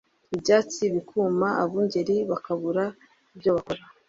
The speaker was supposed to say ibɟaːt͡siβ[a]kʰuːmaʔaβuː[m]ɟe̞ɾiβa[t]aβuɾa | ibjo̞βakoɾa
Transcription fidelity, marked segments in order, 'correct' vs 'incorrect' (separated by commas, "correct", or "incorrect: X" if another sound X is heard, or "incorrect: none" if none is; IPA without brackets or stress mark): incorrect: i, incorrect: ɲ, incorrect: k